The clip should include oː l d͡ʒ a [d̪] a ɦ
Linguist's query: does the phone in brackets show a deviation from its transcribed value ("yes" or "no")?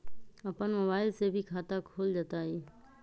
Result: yes